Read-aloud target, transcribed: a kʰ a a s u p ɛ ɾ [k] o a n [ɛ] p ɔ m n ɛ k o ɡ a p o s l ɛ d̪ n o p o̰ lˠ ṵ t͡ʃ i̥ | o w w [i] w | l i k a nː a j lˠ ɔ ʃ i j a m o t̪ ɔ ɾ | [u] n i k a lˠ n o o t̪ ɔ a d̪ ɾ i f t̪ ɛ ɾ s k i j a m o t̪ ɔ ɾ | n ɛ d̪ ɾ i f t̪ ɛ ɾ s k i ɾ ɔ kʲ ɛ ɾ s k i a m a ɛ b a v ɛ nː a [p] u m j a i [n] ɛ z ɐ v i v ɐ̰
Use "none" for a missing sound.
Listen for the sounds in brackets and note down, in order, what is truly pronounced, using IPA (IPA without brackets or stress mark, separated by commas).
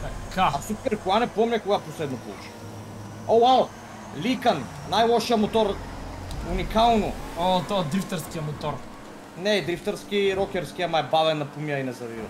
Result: k, ɛ, a, u, p, n